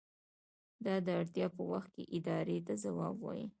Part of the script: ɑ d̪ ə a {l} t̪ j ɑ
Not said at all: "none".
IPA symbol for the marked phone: ɽ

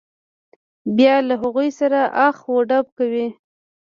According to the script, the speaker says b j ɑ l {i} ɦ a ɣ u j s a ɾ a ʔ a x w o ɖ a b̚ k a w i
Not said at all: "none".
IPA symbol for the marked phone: a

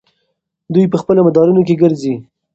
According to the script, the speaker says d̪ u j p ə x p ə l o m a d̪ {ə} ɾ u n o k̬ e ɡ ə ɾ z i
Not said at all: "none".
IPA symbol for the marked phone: ɑ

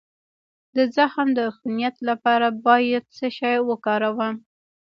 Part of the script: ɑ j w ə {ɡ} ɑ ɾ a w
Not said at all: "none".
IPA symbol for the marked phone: k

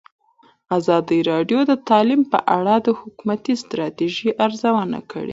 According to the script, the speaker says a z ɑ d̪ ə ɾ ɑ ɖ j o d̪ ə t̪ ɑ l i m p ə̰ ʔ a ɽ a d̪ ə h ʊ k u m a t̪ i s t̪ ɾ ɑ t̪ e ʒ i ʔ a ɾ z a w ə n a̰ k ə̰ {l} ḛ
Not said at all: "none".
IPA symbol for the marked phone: ɽ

